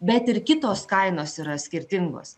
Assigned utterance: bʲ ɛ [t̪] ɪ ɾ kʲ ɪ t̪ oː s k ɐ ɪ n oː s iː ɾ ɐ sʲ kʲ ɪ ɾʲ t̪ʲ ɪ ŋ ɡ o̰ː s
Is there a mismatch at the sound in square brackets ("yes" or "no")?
no